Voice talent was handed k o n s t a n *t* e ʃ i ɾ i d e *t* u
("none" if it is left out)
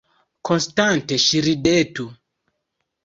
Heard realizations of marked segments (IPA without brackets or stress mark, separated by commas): t, t